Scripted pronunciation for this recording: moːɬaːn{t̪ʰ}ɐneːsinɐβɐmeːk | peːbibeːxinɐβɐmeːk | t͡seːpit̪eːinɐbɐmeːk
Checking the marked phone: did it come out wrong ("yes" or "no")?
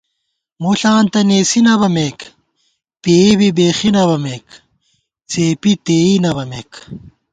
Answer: yes